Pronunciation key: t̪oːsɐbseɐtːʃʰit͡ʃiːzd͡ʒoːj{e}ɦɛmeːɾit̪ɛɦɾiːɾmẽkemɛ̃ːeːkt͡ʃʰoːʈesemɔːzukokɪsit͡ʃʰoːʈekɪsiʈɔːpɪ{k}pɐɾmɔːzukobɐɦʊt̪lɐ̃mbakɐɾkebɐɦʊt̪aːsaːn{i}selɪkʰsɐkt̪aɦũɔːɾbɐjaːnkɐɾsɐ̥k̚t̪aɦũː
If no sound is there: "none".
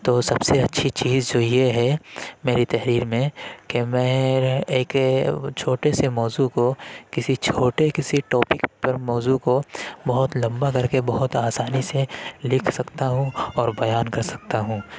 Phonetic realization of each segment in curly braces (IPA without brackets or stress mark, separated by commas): e, k, i